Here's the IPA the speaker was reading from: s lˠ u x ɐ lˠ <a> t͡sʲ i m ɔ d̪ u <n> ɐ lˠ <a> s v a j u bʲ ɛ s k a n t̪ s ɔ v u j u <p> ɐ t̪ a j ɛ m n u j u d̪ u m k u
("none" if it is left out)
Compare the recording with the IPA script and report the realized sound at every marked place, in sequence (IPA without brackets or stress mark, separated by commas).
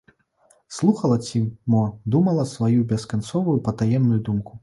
ɐ, m, ɐ, p